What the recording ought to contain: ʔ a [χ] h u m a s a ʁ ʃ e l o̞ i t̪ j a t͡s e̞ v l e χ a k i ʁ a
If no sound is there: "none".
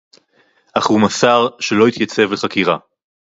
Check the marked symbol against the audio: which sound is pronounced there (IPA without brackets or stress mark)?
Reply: χ